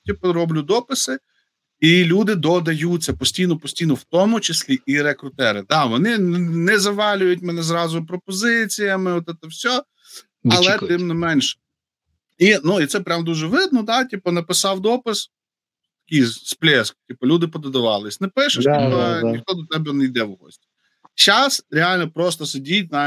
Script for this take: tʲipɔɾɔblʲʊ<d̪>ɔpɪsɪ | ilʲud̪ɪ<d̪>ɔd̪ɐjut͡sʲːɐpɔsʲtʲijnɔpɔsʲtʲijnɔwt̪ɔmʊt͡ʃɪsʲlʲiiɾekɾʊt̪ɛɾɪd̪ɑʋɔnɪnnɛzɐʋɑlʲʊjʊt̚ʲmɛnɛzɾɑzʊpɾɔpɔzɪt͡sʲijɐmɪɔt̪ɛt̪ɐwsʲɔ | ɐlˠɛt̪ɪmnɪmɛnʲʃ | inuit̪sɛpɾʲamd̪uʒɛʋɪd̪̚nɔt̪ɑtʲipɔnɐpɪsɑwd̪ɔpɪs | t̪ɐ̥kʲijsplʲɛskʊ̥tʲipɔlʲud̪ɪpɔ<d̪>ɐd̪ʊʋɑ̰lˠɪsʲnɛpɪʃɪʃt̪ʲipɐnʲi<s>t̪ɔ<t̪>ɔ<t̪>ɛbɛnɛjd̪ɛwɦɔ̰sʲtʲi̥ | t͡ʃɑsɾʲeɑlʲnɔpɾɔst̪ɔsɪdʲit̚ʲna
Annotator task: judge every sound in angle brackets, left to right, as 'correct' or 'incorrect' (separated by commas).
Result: correct, correct, correct, incorrect, incorrect, correct